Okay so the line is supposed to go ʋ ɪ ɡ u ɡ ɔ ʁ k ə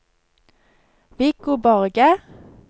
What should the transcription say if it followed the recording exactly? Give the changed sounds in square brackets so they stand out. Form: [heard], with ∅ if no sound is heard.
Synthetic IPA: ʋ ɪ [k] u [b] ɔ ʁ [ɡ] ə